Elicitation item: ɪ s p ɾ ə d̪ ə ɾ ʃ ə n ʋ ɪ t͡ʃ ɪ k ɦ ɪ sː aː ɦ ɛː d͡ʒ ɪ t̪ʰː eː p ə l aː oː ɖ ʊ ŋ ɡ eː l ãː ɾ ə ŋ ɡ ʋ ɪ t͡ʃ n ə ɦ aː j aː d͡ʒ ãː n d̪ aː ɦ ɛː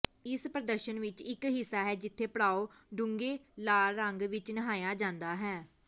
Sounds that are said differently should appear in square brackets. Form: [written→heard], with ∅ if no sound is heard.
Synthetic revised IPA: ɪ s p ɾ ə d̪ ə ɾ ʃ ə n ʋ ɪ t͡ʃ ɪ k ɦ ɪ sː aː ɦ ɛː d͡ʒ ɪ t̪ʰː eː p ə [l→ɽ] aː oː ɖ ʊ ŋ ɡ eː l [ãː→aː] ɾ ə ŋ ɡ ʋ ɪ t͡ʃ n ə ɦ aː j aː d͡ʒ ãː n d̪ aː ɦ ɛː